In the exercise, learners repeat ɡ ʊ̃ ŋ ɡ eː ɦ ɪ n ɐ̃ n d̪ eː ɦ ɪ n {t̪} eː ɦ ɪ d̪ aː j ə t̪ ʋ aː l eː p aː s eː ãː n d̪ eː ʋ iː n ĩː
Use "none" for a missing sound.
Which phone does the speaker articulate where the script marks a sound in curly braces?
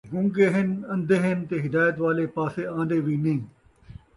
t̪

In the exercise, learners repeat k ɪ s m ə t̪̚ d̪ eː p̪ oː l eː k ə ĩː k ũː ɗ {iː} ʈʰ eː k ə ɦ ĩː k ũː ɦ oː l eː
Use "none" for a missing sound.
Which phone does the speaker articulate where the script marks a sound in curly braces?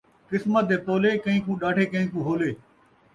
aː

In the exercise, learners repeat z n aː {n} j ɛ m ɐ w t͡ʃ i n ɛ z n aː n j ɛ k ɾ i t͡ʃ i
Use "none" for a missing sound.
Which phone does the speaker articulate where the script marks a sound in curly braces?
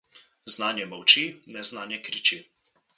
n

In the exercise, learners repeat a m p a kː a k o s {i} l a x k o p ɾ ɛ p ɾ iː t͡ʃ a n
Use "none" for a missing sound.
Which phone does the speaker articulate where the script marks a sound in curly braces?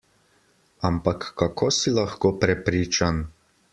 i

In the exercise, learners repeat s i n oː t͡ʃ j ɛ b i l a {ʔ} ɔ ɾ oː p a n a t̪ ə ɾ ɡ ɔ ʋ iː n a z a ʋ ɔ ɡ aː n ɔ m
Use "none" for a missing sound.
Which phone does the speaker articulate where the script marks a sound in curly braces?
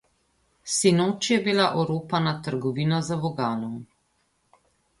ʔ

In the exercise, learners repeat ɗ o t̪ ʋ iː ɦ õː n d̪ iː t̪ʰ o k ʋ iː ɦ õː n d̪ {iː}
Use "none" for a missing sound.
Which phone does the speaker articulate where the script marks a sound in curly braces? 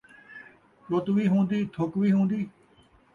iː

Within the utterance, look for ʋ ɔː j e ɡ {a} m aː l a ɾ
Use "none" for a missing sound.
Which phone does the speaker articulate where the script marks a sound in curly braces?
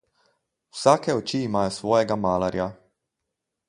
a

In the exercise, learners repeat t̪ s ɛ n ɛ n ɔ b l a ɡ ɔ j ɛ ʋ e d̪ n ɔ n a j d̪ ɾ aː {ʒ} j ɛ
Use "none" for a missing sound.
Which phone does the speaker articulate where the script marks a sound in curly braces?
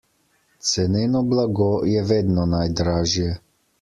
ʒ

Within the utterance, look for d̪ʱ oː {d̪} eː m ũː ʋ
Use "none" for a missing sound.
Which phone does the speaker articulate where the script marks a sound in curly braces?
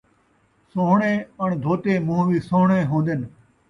t̪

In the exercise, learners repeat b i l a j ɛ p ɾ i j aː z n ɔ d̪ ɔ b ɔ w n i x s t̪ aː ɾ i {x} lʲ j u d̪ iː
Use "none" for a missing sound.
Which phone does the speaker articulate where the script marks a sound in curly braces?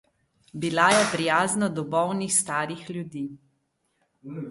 x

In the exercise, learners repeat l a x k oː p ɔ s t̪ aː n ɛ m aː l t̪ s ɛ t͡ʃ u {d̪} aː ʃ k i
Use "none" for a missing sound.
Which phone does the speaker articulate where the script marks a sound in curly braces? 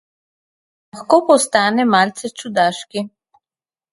d̪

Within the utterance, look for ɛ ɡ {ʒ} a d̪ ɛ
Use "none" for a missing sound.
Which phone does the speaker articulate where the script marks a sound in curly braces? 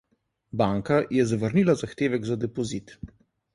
z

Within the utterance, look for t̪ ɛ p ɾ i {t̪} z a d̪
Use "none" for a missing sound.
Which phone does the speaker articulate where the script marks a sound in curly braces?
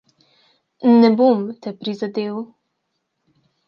none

